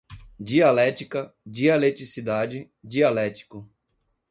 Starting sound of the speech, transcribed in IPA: d͡ʒ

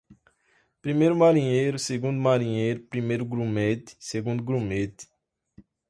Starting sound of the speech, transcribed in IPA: p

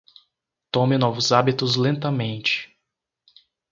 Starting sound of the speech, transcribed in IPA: t̪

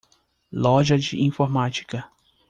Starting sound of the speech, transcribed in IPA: l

